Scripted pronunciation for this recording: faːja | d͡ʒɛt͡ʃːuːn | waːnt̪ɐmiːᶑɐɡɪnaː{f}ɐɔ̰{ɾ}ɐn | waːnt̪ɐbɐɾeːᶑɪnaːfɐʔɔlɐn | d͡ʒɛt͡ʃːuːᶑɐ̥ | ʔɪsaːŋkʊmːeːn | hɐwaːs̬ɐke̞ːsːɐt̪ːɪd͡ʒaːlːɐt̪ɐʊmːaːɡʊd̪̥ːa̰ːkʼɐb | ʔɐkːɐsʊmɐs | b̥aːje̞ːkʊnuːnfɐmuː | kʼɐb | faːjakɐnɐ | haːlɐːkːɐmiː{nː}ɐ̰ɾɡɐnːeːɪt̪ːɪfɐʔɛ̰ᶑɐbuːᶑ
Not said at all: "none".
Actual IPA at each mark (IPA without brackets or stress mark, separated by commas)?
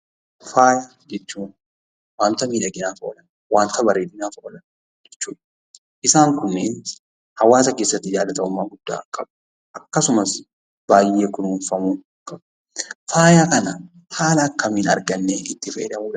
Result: f, l, n